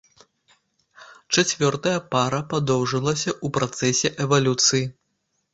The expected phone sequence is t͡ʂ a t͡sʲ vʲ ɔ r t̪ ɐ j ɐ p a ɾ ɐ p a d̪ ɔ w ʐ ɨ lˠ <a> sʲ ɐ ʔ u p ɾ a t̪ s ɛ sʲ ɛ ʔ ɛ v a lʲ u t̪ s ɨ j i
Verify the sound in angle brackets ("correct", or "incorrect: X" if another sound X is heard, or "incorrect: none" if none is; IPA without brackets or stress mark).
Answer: incorrect: ɐ